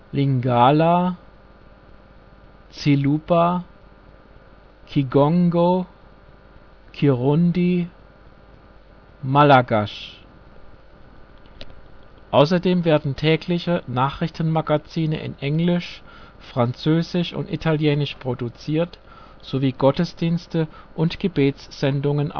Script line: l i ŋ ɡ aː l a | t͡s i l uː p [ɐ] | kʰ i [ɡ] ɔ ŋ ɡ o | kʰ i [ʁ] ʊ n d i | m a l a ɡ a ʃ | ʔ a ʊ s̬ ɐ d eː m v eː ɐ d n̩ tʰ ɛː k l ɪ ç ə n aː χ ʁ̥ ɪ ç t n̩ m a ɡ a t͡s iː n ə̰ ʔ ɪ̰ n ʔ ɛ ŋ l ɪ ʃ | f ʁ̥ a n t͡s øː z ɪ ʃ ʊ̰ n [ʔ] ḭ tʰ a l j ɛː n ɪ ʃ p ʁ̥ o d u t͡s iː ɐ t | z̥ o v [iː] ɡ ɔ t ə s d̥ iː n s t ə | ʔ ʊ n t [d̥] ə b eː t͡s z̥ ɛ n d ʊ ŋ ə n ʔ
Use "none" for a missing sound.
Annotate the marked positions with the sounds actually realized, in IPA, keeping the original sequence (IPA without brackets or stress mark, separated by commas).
a, ɡ, ʁ, t, iː, ɡ̥